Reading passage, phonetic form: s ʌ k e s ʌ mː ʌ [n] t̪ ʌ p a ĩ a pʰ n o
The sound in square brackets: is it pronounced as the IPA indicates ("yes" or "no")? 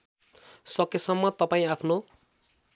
no